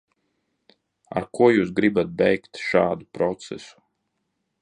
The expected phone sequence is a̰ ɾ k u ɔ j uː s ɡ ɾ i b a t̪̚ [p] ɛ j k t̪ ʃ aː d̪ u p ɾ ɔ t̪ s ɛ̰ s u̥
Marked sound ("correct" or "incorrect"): incorrect